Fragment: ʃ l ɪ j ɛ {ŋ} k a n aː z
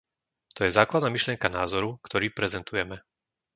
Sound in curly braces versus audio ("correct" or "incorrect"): correct